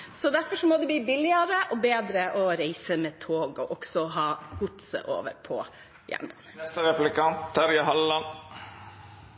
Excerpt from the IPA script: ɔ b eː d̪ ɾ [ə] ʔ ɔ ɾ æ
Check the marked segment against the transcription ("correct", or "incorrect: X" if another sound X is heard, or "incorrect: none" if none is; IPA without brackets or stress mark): correct